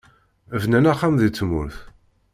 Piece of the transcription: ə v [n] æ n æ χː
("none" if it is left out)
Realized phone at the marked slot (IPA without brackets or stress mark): n